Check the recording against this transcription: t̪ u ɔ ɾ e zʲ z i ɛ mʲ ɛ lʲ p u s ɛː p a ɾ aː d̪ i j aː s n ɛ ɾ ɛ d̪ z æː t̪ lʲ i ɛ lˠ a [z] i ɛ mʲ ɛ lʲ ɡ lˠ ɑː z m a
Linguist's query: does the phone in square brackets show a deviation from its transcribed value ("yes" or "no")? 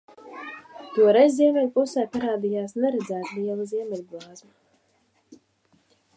no